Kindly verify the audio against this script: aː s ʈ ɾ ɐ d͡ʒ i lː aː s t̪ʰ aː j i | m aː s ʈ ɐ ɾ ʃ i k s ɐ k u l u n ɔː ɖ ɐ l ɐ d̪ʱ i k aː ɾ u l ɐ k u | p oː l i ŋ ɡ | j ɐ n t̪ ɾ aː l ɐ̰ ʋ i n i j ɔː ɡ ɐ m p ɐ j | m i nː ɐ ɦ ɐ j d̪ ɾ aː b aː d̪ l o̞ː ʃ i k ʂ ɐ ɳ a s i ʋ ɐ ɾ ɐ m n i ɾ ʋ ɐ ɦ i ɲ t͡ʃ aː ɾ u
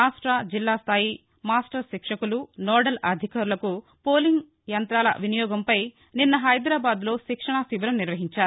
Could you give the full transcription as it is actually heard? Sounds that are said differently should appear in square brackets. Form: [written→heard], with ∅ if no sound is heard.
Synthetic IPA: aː s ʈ ɾ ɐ d͡ʒ i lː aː s t̪ʰ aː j i | m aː s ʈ ɐ ɾ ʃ i k [s→ʂ] ɐ k u l u n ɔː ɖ ɐ l ɐ d̪ʱ i k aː ɾ u l ɐ k u | p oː l i ŋ ɡ | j ɐ n t̪ ɾ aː l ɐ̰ ʋ i n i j ɔː ɡ ɐ m p ɐ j | [m→n] i nː ɐ ɦ ɐ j d̪ ɾ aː b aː d̪ l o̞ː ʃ i k ʂ ɐ ɳ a s i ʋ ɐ ɾ ɐ m n i ɾ ʋ ɐ ɦ i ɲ t͡ʃ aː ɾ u

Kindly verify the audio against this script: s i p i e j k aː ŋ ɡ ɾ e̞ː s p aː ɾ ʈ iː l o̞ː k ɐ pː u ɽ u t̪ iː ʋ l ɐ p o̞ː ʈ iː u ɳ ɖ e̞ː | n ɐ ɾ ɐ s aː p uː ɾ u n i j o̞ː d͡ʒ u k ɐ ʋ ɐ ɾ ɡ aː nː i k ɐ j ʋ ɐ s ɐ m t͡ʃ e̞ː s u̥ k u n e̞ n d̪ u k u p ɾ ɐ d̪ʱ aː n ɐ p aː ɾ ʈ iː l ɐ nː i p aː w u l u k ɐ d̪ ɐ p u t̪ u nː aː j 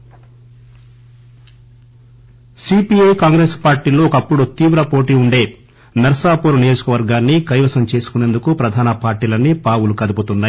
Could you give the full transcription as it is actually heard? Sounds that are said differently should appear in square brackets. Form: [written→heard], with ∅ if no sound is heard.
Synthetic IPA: s i p i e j k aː ŋ ɡ ɾ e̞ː s p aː ɾ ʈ iː l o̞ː k ɐ pː u ɽ u t̪ iː ʋ [l→ɾ] ɐ p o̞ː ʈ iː u ɳ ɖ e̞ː | n ɐ ɾ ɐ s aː p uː ɾ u n i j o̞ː d͡ʒ u k ɐ ʋ ɐ ɾ ɡ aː nː i k ɐ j ʋ ɐ s ɐ m t͡ʃ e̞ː s u̥ k u n e̞ n d̪ u k u p ɾ ɐ d̪ʱ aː n ɐ p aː ɾ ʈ iː l ɐ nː i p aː w u l u k ɐ d̪ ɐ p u t̪ u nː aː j

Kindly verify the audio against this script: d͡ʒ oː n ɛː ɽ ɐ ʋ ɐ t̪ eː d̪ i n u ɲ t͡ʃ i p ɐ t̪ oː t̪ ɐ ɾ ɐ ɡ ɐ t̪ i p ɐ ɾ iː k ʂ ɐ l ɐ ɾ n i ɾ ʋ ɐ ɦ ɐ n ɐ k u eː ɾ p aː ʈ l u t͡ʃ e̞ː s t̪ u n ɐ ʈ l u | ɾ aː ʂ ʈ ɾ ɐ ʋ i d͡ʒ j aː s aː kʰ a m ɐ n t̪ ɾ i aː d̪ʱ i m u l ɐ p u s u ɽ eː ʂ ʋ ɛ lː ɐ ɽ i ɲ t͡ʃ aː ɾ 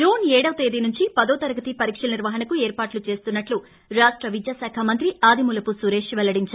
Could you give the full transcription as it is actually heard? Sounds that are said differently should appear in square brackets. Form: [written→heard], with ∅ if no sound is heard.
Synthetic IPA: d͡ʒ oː n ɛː ɽ ɐ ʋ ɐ t̪ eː d̪ i n u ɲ t͡ʃ i p ɐ [t̪→d̪] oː t̪ ɐ ɾ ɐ ɡ ɐ t̪ i p ɐ ɾ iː k ʂ ɐ l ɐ [ɾ→∅] n i ɾ ʋ ɐ ɦ ɐ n ɐ k u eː ɾ p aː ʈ l u t͡ʃ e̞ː s t̪ u [n→nː] ɐ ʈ l u | ɾ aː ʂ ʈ ɾ ɐ ʋ i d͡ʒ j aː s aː kʰ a m ɐ n t̪ ɾ i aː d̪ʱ i m u l ɐ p u s u [ɽ→ɾ] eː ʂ ʋ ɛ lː ɐ ɽ i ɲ t͡ʃ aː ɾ

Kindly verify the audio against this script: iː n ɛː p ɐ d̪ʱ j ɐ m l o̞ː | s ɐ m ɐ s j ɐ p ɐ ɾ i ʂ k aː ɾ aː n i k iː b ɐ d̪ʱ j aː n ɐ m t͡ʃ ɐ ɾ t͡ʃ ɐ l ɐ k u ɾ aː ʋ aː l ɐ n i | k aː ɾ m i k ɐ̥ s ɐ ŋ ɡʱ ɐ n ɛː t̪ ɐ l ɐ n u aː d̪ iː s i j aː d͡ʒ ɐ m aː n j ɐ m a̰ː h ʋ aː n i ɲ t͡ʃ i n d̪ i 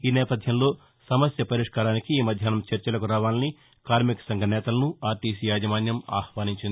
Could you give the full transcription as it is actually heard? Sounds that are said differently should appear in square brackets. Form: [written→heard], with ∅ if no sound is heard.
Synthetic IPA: iː n ɛː p ɐ d̪ʱ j ɐ m l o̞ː | s ɐ m ɐ s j ɐ p ɐ ɾ i ʂ k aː ɾ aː n i k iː [b→m] ɐ d̪ʱ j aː n ɐ m t͡ʃ ɐ ɾ t͡ʃ ɐ l ɐ k u ɾ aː ʋ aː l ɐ n i | k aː ɾ m i k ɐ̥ s ɐ ŋ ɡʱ ɐ n ɛː t̪ ɐ l ɐ n u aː [d̪→t̪] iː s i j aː d͡ʒ ɐ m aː n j ɐ m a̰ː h ʋ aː n i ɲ t͡ʃ i n d̪ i

